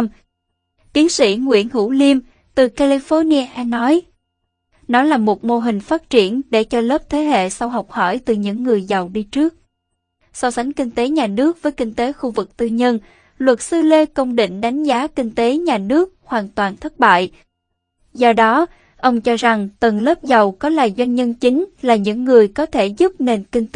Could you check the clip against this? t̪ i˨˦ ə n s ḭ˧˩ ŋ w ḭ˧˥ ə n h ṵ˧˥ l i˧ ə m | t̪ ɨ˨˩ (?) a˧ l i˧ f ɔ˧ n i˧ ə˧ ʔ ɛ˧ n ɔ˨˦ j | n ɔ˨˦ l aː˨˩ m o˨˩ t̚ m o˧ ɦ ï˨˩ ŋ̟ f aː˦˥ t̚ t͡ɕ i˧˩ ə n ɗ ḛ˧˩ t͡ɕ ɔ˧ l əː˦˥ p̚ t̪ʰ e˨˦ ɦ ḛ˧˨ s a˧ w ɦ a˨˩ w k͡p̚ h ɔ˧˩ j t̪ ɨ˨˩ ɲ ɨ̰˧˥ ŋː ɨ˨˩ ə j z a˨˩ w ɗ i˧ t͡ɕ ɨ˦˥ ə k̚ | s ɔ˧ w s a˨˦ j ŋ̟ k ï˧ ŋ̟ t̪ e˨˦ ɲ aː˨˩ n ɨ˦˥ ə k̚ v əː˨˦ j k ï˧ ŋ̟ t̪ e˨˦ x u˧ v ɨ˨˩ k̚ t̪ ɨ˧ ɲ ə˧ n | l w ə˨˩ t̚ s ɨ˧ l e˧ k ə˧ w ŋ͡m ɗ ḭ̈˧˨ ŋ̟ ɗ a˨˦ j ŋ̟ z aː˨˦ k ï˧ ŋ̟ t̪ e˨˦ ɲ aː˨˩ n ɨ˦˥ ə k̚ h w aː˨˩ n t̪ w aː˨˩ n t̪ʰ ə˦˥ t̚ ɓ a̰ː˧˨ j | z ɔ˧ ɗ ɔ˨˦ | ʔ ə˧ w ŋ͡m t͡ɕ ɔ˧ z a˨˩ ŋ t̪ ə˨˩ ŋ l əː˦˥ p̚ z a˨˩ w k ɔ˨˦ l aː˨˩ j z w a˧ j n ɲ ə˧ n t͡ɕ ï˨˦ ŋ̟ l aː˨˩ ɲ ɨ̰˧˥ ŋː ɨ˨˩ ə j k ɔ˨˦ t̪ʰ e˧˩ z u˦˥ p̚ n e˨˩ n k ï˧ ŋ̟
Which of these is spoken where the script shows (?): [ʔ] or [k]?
k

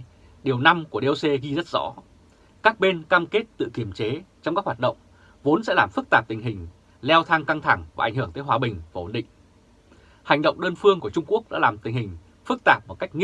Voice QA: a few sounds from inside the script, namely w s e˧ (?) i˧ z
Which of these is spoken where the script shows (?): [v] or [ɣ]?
ɣ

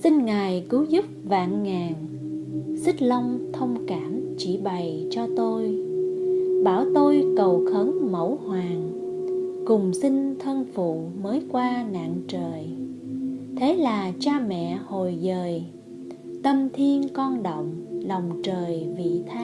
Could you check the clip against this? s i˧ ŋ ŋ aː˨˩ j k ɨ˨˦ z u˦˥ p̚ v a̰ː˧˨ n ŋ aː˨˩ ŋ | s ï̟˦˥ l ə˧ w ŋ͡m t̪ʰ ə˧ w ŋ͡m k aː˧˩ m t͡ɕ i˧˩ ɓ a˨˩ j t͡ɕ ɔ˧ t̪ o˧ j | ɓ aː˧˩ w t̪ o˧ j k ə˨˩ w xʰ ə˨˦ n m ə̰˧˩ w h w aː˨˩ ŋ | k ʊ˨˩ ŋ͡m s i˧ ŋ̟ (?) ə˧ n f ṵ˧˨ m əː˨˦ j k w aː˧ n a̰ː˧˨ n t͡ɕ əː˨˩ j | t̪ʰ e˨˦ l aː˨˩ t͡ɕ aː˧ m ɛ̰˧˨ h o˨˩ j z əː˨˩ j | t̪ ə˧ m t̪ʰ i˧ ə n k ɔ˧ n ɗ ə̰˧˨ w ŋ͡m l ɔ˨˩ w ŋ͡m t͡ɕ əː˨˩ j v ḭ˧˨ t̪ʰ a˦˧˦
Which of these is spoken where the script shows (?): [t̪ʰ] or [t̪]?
t̪ʰ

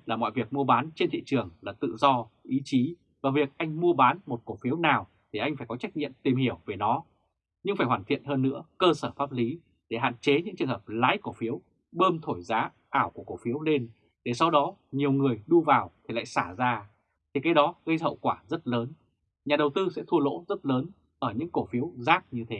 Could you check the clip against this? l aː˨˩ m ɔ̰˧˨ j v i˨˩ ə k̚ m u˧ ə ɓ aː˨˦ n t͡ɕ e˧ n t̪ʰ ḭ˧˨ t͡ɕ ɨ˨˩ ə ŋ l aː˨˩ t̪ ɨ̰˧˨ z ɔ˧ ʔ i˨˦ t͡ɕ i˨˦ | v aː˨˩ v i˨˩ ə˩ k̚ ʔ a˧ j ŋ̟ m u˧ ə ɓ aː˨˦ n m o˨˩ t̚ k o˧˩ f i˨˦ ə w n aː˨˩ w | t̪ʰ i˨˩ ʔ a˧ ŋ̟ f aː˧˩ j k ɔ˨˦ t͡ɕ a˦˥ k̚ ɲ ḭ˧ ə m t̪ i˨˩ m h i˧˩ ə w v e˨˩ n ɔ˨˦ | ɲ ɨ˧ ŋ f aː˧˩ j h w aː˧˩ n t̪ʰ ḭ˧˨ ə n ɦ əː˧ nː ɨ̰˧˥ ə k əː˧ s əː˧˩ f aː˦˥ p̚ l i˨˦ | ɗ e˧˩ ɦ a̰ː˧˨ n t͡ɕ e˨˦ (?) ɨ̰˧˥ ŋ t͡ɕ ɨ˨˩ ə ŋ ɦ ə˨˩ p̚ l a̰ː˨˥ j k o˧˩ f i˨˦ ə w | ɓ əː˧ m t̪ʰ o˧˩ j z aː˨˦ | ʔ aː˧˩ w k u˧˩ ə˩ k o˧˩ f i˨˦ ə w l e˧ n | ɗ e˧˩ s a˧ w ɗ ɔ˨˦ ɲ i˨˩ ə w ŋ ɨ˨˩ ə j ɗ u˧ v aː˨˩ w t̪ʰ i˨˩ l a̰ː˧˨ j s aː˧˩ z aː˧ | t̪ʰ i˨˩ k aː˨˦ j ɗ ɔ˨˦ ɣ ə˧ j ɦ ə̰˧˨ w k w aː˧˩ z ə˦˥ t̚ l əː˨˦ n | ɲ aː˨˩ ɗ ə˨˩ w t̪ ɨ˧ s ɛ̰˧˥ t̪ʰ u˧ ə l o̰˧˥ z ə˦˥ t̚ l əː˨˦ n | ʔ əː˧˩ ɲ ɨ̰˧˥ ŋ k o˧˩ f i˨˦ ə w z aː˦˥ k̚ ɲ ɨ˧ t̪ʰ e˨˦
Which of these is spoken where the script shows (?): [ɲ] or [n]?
ɲ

